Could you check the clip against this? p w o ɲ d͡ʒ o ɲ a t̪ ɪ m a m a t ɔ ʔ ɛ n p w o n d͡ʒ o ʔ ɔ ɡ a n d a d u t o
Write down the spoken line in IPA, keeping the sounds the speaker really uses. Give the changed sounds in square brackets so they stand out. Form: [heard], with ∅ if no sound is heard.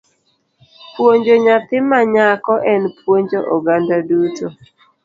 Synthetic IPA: p w o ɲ d͡ʒ o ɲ a t̪ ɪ m a [ɲ] a [k] ɔ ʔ ɛ n p w o [ɲ] d͡ʒ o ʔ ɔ ɡ a n d a d u t o